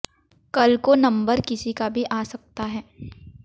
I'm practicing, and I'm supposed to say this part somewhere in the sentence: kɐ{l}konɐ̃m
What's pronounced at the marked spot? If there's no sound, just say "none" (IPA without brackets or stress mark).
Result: l